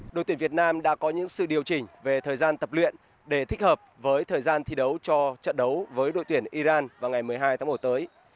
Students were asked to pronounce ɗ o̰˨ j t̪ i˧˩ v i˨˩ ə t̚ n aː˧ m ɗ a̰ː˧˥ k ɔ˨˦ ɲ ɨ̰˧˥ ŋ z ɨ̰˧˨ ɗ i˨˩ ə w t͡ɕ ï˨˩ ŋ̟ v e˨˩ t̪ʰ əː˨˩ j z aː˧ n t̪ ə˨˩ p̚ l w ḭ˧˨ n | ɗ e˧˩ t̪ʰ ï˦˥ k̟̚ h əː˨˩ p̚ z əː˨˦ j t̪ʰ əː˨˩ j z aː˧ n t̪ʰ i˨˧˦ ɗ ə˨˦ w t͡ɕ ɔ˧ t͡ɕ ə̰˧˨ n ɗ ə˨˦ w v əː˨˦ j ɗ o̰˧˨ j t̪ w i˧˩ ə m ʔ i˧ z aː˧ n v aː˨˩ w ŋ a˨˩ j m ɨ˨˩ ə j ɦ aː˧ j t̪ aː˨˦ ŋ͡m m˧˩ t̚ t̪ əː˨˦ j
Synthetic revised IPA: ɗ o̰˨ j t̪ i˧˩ v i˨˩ ə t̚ n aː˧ m ɗ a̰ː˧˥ k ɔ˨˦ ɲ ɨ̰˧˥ ŋ s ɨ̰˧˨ ɗ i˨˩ ə w t͡ɕ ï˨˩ ŋ̟ v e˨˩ t̪ʰ əː˨˩ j z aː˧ n t̪ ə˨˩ p̚ l w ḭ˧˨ n | ɗ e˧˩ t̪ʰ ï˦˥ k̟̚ h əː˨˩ p̚ v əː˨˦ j t̪ʰ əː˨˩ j z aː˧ n t̪ʰ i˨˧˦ ɗ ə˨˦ w t͡ɕ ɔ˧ t͡ɕ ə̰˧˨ n ɗ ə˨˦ w v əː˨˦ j ɗ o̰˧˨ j t̪ w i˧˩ ə n ʔ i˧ z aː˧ n v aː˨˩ w ŋ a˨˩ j m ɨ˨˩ ə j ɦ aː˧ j t̪ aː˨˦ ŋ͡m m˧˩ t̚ t̪ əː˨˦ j